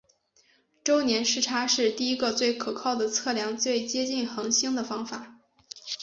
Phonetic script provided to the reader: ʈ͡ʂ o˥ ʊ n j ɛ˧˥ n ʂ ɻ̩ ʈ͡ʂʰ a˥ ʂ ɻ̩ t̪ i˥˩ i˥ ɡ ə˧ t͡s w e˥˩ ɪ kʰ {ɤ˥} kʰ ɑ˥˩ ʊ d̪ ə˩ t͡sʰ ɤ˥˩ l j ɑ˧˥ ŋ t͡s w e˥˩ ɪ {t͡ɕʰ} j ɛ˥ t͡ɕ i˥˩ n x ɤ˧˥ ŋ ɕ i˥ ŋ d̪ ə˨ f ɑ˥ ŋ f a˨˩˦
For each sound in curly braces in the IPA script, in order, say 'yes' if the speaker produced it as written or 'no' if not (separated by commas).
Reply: no, no